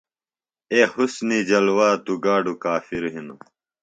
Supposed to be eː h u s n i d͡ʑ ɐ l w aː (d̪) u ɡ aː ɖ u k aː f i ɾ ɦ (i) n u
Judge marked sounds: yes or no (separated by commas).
no, yes